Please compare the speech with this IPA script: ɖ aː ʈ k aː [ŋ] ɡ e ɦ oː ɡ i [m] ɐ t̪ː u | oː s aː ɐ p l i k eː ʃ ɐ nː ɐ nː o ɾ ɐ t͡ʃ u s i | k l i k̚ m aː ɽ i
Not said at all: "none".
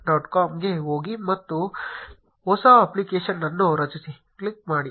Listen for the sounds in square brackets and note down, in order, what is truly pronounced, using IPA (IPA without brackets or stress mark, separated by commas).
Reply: m, m